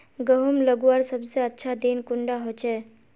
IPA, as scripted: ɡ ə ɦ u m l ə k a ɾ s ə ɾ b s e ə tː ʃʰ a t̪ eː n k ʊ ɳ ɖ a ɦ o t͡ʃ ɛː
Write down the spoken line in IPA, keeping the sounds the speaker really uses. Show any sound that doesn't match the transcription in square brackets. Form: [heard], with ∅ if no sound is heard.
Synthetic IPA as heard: ɡ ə ɦ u m l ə [ɡ] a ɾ s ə [∅] b s e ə tː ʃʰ a [d̪] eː n k ʊ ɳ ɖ a ɦ o t͡ʃ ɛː